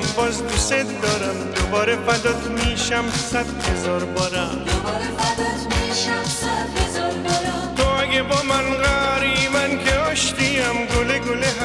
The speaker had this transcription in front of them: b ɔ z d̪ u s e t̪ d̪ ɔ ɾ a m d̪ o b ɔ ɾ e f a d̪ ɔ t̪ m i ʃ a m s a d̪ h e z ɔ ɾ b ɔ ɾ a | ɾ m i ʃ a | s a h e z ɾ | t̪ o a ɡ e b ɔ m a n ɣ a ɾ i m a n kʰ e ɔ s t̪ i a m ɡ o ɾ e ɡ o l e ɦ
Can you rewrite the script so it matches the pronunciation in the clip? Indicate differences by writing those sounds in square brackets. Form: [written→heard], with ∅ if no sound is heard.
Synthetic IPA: b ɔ z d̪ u s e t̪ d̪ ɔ ɾ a m d̪ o b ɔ ɾ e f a d̪ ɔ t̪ m i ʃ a m s a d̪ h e z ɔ ɾ b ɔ ɾ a | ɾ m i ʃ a | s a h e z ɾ | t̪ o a ɡ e b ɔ m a n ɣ a ɾ i m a n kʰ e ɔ [s→ʃ] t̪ i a m ɡ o [ɾ→l] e ɡ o l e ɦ